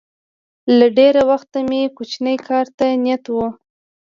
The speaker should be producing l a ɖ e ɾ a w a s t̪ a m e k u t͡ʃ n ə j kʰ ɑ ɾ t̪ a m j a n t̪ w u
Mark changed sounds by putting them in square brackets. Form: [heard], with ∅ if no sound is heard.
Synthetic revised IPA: l a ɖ e ɾ a w a [x] t̪ a m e k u t͡ʃ n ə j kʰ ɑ ɾ t̪ a [n] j a [∅] t̪ w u